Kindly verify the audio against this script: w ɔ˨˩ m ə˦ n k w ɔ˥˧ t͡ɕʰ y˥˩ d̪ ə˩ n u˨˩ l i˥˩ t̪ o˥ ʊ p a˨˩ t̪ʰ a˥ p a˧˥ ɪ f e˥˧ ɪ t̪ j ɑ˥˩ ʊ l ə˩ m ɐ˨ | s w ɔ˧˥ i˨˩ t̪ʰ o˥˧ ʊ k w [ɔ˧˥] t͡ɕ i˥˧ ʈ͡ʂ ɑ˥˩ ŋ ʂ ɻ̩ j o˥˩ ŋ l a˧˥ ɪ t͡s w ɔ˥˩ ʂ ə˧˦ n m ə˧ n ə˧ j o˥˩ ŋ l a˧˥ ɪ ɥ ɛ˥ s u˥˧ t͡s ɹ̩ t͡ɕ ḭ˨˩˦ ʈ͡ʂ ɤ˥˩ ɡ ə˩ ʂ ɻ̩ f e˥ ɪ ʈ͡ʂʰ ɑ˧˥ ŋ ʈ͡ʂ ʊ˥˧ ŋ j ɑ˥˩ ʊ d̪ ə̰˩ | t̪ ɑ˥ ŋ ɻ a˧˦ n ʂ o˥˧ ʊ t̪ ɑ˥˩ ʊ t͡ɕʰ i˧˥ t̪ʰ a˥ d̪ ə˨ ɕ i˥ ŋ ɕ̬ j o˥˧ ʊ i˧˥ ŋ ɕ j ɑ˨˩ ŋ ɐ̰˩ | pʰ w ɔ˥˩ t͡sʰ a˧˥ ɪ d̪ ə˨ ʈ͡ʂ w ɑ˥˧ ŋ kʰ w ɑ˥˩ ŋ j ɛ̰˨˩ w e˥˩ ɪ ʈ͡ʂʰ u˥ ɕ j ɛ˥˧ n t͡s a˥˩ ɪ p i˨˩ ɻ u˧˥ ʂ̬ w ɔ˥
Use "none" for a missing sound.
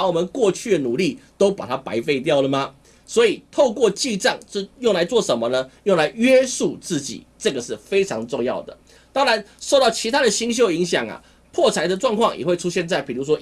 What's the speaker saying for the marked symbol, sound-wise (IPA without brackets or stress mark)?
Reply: ɔ˥˧